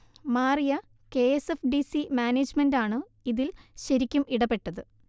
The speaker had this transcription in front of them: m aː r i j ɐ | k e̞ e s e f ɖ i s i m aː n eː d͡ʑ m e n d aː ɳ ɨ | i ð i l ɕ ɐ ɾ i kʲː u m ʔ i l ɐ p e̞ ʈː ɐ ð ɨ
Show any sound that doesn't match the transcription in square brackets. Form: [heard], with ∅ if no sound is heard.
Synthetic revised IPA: m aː r i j ɐ | k e̞ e s e f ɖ i s i m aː n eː d͡ʑ m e n d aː ɳ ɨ | i ð i l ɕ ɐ ɾ i kʲː u m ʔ i [ɽ] ɐ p e̞ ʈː ɐ ð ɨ